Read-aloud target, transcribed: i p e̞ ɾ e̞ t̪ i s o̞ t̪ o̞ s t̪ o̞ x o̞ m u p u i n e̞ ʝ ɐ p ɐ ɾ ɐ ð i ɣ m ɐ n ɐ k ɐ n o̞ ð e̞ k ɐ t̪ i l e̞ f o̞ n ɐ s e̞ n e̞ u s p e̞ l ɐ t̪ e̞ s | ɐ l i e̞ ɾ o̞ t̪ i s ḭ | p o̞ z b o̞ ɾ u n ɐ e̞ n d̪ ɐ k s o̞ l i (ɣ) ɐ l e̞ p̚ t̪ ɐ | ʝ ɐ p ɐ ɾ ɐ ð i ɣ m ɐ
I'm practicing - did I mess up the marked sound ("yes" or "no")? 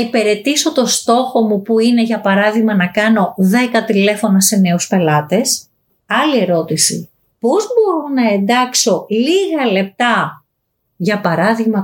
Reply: no